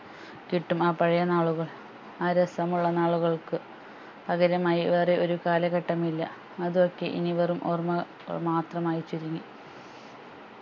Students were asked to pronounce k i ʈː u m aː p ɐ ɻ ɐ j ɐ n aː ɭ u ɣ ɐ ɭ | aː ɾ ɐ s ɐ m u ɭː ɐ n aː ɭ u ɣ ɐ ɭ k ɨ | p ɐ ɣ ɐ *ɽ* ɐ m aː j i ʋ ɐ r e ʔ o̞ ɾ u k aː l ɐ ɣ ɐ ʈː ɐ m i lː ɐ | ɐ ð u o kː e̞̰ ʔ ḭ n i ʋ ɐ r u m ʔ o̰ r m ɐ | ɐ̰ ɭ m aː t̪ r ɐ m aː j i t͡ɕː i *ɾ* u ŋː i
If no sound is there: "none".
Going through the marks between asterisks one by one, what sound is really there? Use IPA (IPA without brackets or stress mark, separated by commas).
ɾ, ɾ